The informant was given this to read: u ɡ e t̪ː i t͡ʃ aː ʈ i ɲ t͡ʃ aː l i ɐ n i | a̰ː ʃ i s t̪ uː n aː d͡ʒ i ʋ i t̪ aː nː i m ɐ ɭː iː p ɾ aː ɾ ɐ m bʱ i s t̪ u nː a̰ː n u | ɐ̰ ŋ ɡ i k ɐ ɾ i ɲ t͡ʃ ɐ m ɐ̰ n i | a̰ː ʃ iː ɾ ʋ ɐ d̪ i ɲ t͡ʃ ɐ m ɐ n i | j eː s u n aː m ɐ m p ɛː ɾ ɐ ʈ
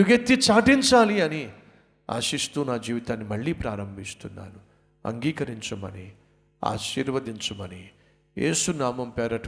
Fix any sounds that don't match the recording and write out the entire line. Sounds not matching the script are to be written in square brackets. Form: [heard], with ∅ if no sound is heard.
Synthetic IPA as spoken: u ɡ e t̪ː i t͡ʃ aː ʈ i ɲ t͡ʃ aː l i ɐ n i | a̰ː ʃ i s t̪ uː n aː d͡ʒ [iː] ʋ i t̪ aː nː i m ɐ ɭː iː p ɾ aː ɾ ɐ m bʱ i s t̪ u nː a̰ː n u | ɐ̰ ŋ ɡ [iː] k ɐ ɾ i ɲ t͡ʃ ɐ m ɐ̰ n i | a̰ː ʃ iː ɾ ʋ ɐ d̪ i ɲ t͡ʃ ɐ m ɐ n i | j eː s u n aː m ɐ m p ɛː ɾ ɐ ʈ